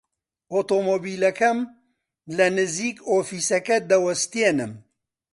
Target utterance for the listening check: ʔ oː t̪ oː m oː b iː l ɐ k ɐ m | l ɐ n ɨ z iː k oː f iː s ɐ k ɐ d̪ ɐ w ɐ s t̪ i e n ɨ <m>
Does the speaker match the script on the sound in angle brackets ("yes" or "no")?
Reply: yes